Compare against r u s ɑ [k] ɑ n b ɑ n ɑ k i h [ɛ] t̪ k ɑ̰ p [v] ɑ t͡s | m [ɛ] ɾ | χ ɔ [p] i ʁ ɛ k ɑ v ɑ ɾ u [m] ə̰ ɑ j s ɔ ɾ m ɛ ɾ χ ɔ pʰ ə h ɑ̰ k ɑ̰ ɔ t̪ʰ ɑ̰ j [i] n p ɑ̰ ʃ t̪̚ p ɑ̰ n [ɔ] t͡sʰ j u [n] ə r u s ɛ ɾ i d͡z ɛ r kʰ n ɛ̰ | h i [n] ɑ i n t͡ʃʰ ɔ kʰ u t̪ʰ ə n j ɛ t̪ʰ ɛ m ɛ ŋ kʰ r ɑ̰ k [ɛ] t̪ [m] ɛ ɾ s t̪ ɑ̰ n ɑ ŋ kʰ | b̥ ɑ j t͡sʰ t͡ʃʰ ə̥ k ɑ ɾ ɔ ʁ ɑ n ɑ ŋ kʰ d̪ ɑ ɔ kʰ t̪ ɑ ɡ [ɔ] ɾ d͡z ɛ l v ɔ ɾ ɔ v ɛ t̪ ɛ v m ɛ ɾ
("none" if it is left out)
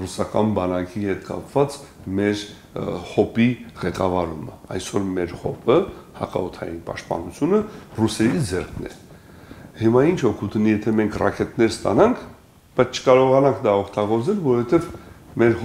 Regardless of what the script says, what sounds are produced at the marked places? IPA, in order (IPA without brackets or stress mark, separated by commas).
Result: k, ɛ, v, ɛ, p, m, i, u, n, m, ɛ, n, ɔ